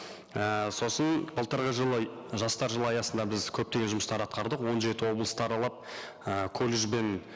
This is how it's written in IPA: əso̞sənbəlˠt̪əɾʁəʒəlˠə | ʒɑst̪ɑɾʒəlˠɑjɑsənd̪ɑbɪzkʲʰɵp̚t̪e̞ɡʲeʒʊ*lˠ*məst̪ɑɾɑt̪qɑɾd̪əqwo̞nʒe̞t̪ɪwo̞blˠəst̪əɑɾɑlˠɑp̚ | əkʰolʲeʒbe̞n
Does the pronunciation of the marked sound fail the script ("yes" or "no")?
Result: yes